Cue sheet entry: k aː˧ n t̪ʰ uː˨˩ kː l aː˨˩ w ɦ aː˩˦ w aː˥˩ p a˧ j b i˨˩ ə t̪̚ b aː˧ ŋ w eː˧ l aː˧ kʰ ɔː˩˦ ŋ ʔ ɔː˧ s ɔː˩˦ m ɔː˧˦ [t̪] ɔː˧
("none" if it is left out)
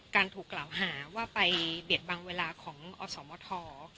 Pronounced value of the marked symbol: t̪ʰ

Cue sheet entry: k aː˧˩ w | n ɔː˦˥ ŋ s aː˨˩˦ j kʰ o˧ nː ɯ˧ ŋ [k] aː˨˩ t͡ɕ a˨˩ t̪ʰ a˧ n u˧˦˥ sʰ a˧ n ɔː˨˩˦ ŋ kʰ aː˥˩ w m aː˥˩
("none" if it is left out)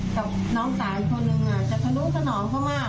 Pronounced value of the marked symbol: ʔ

